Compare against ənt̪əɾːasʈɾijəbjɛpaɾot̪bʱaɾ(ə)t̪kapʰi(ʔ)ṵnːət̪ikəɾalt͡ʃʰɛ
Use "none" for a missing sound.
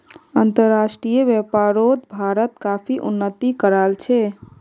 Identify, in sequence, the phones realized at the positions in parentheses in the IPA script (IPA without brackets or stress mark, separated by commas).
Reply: ə, ʔ